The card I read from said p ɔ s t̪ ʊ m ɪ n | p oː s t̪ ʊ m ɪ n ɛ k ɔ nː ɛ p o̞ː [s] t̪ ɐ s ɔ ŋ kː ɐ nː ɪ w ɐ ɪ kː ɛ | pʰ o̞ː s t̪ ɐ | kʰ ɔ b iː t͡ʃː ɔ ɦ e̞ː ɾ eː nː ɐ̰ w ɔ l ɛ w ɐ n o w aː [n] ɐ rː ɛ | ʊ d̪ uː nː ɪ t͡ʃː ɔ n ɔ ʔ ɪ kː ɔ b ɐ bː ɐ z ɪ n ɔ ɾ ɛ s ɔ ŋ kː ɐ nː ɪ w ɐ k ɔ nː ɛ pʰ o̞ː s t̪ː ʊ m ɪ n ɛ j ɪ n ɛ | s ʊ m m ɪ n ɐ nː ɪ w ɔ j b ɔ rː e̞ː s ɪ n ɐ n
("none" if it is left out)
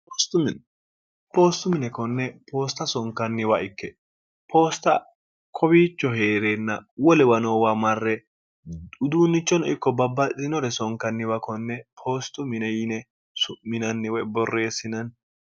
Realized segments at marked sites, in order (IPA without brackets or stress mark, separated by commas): s, m